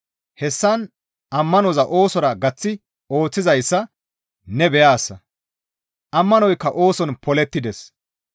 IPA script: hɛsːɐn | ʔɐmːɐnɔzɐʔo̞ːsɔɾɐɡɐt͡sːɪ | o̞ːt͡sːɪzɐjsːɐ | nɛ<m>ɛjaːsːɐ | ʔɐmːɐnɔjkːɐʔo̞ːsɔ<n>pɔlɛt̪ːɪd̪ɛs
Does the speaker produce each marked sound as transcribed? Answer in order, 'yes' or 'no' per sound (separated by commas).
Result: no, yes